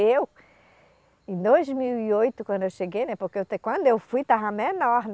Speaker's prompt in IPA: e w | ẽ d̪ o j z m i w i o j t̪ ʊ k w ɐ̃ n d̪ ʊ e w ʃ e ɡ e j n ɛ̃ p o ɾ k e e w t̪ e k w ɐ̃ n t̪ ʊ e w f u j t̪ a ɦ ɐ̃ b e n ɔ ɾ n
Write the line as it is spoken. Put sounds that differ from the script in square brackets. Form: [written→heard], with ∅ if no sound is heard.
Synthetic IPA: e w | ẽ d̪ o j z m i w i o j t̪ ʊ k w ɐ̃ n d̪ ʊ e w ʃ e ɡ e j n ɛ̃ p o ɾ k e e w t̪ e k w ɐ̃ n [t̪→d̪] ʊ e w f u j t̪ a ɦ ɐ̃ [b→m] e n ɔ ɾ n